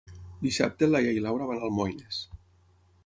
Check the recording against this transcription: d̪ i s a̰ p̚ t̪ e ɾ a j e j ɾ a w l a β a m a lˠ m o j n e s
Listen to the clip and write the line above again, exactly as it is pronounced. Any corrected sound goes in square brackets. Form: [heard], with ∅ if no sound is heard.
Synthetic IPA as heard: d̪ i s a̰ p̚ t̪ e [l] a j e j [l] a w [ɾ] a β a [n] a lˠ m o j n e s